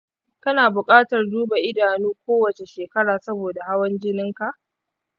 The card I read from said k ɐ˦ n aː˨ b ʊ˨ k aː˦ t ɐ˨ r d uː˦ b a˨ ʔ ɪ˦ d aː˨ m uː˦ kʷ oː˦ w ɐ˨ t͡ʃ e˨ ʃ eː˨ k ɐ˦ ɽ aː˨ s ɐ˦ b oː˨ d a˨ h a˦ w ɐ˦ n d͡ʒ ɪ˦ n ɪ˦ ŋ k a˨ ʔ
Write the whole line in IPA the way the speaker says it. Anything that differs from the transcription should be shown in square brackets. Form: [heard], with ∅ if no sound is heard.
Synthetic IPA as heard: k ɐ˦ n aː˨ b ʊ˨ [kʼ] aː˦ t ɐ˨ r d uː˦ b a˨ ʔ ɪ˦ d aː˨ [n] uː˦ kʷ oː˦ w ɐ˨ t͡ʃ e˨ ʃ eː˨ k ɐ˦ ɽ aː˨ s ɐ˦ b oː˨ d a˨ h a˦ w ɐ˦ n d͡ʒ ɪ˦ n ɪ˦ ŋ k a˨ ʔ